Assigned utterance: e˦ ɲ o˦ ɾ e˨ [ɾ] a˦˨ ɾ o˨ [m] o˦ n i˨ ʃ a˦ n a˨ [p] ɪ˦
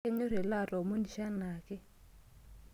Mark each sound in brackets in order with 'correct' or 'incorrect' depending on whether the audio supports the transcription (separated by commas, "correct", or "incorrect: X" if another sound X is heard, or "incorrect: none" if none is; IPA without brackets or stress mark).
incorrect: l, correct, incorrect: k